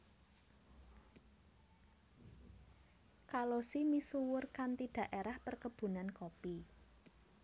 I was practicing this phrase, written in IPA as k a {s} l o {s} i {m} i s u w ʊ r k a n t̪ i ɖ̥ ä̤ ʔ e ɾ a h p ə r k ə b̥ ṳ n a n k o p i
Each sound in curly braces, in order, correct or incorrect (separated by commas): incorrect, correct, correct